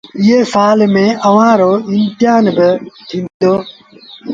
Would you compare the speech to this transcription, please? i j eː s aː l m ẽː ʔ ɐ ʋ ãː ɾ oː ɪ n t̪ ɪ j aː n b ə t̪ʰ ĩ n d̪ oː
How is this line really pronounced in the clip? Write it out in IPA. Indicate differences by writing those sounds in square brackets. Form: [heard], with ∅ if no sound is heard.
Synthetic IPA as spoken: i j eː s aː l m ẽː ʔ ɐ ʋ ãː ɾ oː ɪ n t̪ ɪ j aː n b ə t̪ʰ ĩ n d̪ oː